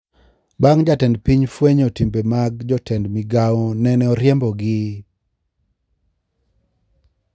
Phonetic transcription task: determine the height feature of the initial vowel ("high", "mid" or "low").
low